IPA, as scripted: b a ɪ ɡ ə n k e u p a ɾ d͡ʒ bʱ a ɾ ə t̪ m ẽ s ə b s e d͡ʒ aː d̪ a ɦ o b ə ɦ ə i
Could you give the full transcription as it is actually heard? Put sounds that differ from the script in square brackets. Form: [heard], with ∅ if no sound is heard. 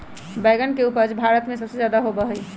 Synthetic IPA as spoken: b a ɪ ɡ ə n k e u p [ə] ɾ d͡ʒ bʱ a ɾ ə t̪ m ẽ s ə b s e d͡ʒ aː d̪ a ɦ o b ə ɦ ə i